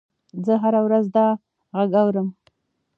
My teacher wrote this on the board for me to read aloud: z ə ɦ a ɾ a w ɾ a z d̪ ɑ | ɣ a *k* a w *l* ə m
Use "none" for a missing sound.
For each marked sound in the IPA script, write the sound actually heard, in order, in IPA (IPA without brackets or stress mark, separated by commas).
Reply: ɡ, ɾ